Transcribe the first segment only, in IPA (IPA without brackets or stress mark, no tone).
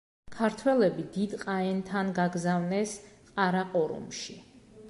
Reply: kʰ